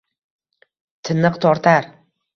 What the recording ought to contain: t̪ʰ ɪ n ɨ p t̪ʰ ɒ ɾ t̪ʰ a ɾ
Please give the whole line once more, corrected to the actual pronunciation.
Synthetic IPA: t̪ʰ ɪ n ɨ q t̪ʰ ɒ ɾ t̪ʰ a ɾ